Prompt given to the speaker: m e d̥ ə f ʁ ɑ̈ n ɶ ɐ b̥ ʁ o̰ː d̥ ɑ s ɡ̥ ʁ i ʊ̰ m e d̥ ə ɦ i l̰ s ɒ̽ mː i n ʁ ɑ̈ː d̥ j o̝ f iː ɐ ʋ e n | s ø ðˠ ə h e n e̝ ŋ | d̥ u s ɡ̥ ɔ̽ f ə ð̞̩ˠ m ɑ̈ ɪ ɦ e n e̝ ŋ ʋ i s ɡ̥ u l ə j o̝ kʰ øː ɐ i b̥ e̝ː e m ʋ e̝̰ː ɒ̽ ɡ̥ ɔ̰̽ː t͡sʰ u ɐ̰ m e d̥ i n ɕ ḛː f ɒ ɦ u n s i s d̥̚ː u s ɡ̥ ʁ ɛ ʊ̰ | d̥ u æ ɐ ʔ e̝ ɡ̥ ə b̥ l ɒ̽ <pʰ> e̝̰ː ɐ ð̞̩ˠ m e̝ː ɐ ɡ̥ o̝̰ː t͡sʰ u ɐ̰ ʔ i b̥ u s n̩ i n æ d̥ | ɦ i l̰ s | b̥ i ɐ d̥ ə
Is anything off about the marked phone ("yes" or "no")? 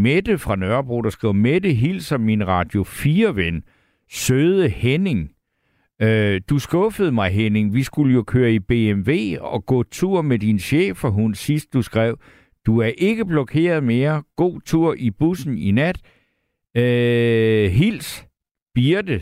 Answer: yes